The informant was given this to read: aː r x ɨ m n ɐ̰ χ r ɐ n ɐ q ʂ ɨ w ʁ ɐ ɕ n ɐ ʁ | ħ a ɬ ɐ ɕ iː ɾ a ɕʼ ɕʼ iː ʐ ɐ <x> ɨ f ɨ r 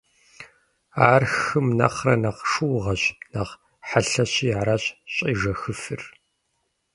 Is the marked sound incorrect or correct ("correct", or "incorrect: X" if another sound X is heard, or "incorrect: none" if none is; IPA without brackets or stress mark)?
correct